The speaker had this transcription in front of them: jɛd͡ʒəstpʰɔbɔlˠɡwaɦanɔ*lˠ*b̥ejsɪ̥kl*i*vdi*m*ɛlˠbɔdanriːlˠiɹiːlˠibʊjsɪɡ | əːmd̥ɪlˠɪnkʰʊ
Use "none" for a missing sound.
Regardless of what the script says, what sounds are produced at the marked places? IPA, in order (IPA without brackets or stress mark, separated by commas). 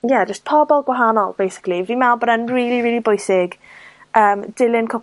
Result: lˠ, i, m